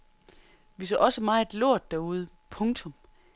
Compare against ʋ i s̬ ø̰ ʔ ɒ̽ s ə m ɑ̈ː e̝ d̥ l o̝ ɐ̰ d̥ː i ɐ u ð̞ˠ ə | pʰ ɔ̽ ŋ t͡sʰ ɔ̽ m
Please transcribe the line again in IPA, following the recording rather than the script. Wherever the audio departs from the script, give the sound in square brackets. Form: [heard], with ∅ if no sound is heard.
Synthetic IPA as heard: ʋ i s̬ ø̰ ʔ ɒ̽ s ə m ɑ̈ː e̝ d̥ l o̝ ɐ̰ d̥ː [æ] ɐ u ð̞ˠ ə | pʰ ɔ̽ ŋ t͡sʰ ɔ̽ m

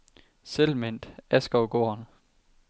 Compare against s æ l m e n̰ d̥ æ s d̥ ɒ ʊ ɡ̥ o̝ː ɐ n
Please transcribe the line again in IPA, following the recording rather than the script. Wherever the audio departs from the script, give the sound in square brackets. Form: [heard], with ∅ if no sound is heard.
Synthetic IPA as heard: s [e] l m e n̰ d̥ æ s [ɡ̥] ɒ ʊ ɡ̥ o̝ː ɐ n

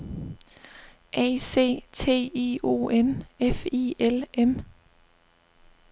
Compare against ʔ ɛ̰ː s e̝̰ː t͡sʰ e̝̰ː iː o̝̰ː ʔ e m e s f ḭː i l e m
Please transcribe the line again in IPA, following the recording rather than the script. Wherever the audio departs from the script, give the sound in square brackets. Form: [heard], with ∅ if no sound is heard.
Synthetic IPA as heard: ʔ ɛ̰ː s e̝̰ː t͡sʰ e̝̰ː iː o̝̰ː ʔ e [n] e [∅] f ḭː [e] l e m

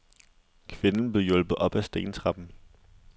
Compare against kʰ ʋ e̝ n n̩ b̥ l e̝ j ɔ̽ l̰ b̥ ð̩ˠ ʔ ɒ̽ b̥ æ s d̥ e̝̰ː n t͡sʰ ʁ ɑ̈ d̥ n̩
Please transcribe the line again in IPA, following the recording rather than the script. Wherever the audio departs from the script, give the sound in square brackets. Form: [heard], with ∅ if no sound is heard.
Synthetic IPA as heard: kʰ ʋ e̝ n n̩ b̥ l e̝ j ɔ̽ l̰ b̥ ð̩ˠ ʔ ɒ̽ b̥ æ s d̥ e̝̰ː n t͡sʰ ʁ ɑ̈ [b̥] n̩

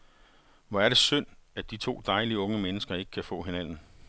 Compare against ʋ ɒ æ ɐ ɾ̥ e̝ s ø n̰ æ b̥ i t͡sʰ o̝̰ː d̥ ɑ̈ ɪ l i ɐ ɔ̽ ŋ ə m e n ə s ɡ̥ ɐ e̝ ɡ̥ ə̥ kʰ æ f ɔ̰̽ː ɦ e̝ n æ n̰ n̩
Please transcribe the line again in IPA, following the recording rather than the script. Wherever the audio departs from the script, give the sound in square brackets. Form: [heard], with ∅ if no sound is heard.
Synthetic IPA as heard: ʋ ɒ æ ɐ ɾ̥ e̝ s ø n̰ æ [d̥] i t͡sʰ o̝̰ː d̥ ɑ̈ ɪ l i [ə] ɔ̽ ŋ ə m e n ə s ɡ̥ ɐ e̝ ɡ̥ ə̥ kʰ æ f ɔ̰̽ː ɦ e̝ n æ n̰ n̩

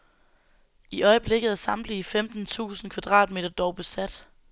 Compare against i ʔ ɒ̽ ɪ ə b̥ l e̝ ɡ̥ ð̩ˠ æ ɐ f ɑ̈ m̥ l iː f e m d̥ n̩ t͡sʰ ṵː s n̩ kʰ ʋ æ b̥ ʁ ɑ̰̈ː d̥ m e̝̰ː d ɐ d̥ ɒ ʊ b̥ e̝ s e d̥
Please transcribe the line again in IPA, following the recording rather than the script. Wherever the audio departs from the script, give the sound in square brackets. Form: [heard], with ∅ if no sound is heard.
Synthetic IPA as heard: i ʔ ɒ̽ ɪ ə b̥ l e̝ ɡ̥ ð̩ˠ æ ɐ [s] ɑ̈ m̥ l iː f e m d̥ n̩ t͡sʰ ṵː s n̩ kʰ ʋ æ [d̥] ʁ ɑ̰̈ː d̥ m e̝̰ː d ɐ d̥ ɒ ʊ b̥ e̝ s [æ] d̥

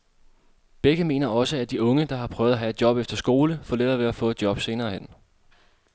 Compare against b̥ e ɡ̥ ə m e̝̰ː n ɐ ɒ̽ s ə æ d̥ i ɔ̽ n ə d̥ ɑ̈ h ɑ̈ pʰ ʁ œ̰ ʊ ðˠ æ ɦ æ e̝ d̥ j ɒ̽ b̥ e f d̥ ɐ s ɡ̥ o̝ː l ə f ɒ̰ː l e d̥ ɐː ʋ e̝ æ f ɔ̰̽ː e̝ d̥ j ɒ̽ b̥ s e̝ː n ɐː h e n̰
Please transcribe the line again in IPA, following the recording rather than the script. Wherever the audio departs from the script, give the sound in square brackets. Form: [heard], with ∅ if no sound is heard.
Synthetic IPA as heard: b̥ e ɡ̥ ə m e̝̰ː n ɐ ɒ̽ s ə æ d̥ i ɔ̽ [ŋ] ə d̥ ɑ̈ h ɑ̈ pʰ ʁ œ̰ ʊ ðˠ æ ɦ æ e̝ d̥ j ɒ̽ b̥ e f d̥ ɐ s ɡ̥ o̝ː l ə f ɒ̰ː l e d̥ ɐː ʋ e̝ æ f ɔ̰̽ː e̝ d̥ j ɒ̽ b̥ s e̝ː n ɐː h e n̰

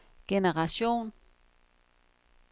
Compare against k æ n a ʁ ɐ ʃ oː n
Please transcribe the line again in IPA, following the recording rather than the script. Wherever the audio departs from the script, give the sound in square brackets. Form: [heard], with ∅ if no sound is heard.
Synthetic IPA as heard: k [e] n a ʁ [a] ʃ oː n

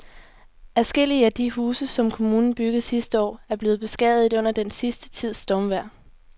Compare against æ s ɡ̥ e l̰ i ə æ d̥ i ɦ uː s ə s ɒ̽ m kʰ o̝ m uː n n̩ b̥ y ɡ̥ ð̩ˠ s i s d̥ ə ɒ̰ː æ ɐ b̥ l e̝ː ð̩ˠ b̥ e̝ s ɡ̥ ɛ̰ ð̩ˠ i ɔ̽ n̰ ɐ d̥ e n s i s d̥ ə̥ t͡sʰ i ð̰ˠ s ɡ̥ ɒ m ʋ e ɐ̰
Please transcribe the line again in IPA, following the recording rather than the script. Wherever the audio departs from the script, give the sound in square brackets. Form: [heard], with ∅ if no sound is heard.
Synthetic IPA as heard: æ s ɡ̥ e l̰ i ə æ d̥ i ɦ uː s ə s ɒ̽ m kʰ o̝ m uː n n̩ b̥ y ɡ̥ ð̩ˠ s i s d̥ ə ɒ̰ː æ ɐ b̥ l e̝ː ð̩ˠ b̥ e̝ s ɡ̥ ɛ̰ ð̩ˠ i ɔ̽ n̰ ɐ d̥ e n s i s d̥ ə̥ t͡sʰ i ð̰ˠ s [d̥] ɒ m ʋ [æ] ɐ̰

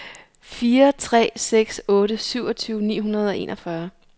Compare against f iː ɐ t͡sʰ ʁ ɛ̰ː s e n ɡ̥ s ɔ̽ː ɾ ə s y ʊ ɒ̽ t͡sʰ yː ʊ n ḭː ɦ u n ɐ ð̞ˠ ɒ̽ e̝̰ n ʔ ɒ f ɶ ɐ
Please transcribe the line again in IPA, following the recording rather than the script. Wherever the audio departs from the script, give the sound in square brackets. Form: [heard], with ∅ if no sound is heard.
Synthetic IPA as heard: f iː ɐ t͡sʰ ʁ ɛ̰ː s e [∅] ɡ̥ s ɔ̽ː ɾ ə s y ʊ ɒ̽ t͡sʰ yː ʊ n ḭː ɦ u n ɐ ð̞ˠ ɒ̽ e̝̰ n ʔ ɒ f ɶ ɐ

